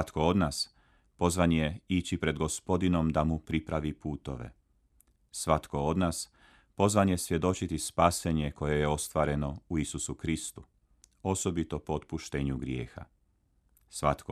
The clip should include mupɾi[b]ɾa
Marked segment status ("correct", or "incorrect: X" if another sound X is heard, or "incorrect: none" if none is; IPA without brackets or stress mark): incorrect: p